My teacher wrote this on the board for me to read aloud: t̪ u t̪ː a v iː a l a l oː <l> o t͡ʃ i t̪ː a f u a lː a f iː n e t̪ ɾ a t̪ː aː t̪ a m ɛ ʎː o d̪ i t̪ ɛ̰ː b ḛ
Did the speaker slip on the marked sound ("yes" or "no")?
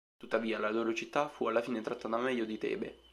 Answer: yes